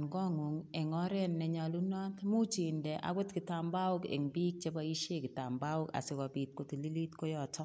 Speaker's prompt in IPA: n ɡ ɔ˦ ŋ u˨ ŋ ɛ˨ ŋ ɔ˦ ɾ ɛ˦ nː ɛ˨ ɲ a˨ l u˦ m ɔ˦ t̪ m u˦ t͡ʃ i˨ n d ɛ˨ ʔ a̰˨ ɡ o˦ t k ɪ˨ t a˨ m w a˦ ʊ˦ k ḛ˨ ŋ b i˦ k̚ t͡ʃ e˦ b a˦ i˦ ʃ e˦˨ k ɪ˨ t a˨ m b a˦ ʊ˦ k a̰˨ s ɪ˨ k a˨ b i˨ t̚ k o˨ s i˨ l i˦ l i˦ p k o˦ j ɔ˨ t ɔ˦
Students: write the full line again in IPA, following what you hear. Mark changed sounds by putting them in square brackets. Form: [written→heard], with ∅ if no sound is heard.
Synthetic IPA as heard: n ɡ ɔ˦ ŋ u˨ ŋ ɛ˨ ŋ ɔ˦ ɾ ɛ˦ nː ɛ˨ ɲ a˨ l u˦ [m→n] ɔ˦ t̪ m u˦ t͡ʃ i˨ n d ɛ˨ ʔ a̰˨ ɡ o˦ t k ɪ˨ t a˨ m [w→b] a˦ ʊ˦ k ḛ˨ ŋ b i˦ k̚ t͡ʃ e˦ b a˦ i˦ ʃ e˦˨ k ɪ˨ t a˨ m b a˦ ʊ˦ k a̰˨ s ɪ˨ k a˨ b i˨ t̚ k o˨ [s→t] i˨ l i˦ l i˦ [p→t] k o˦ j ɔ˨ t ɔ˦

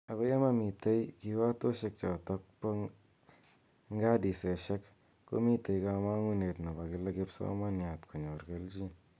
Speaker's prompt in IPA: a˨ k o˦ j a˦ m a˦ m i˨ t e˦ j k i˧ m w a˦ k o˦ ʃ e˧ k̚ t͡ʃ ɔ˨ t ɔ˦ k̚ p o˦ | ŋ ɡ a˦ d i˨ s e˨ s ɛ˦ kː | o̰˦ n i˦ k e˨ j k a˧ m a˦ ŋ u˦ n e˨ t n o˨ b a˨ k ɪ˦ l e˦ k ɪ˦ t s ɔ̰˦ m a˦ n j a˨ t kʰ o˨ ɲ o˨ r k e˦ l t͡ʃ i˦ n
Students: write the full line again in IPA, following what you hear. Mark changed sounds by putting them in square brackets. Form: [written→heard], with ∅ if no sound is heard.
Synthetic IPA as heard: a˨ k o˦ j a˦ m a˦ m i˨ t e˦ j k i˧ [m→∅] w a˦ [k→t] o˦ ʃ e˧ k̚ t͡ʃ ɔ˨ t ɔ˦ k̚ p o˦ | ŋ ɡ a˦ d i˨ s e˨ [s→ʃ] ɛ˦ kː | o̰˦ [n→m] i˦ [k→t] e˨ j k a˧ m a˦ ŋ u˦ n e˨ t n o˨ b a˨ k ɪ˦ l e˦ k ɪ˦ [t→p] s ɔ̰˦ m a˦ n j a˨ t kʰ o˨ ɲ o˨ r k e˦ l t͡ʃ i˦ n

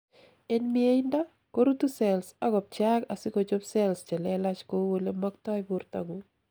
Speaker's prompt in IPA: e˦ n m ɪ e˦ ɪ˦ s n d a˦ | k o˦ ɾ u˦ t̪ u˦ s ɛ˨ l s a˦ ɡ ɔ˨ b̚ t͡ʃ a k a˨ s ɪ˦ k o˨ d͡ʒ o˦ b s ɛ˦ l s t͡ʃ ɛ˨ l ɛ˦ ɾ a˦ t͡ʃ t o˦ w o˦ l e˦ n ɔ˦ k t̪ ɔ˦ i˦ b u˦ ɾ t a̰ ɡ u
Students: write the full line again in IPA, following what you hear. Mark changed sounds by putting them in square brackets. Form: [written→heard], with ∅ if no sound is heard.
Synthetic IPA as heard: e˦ n m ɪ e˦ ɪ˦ [s→∅] n d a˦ | k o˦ ɾ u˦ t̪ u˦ s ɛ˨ l s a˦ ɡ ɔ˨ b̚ t͡ʃ a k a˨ s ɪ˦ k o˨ d͡ʒ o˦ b s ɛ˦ l s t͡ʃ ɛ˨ l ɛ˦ [ɾ→l] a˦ t͡ʃ [t→k] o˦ w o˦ l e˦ [n→m] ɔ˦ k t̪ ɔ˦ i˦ b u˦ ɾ t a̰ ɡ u

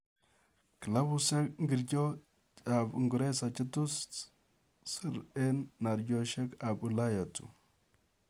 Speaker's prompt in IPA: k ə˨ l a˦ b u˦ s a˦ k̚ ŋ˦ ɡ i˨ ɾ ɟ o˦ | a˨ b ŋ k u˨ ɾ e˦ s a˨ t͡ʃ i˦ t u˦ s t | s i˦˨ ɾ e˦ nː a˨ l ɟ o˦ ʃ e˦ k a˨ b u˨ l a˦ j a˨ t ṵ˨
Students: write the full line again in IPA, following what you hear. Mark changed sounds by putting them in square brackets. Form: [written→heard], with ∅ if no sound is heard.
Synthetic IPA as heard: k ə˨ l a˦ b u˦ s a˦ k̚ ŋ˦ ɡ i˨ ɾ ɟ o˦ | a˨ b ŋ [k→ɡ] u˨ ɾ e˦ s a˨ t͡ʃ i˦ t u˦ s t | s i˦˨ ɾ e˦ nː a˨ [l→ɾ] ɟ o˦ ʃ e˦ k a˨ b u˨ l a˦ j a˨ t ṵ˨

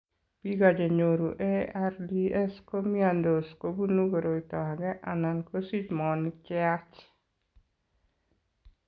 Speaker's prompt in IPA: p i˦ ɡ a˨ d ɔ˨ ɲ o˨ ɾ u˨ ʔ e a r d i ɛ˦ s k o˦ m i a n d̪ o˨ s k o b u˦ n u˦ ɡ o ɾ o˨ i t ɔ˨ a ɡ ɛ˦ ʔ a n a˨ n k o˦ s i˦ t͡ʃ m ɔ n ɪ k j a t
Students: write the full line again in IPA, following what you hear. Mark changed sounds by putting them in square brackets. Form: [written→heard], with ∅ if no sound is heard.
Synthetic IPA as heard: p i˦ ɡ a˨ [d→d͡ʒ] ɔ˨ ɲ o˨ ɾ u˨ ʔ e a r d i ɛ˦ s k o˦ m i a n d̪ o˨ s k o b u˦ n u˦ ɡ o ɾ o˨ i t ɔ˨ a ɡ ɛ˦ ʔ a n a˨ n k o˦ s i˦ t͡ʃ m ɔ n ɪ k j a [t→t͡ʃ]

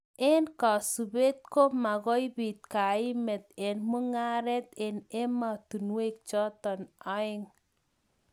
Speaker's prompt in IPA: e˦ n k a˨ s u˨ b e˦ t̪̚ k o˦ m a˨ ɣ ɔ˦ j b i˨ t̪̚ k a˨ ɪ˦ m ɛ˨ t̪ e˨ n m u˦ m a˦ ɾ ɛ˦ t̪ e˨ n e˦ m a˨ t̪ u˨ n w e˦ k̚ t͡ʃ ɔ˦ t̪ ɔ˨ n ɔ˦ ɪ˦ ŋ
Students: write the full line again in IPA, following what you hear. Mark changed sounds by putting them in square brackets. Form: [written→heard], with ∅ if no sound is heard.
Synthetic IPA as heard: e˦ n k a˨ s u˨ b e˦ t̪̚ k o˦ m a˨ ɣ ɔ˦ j b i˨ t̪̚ k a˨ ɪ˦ m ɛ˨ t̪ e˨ n m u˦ [m→ŋ] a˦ ɾ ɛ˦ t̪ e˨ n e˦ m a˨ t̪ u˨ n w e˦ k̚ t͡ʃ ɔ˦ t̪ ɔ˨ n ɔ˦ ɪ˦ ŋ

